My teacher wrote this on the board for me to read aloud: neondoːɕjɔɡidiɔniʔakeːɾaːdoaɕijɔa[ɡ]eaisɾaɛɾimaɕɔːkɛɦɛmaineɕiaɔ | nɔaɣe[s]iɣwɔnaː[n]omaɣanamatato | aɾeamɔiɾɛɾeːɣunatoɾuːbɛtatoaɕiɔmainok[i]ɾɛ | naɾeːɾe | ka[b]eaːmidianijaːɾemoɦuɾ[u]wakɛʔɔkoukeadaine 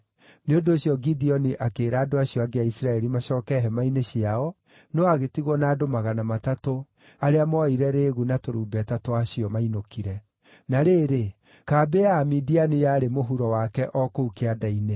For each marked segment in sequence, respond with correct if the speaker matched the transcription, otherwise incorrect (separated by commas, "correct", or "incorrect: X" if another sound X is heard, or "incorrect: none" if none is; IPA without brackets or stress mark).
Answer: correct, incorrect: t, incorrect: d, correct, correct, incorrect: ɔ